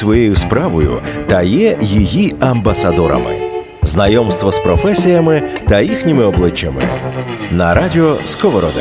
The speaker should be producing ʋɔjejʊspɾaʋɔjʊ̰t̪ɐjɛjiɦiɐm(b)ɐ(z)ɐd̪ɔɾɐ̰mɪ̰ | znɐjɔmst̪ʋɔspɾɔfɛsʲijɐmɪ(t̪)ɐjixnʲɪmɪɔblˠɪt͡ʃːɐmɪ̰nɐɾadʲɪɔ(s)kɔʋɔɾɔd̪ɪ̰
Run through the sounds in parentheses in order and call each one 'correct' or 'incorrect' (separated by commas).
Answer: correct, incorrect, correct, correct